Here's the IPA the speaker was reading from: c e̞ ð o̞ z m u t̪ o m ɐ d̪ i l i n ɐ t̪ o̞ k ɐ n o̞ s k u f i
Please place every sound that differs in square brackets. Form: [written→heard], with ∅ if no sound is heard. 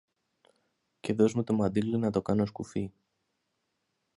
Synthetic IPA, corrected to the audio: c e̞ ð o̞ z m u t̪ o m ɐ d̪ i l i n ɐ t̪ o̞ k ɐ n o̞ s k u f i